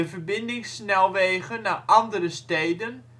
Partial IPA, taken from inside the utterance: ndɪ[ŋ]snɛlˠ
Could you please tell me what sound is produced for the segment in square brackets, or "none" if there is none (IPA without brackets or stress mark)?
ŋ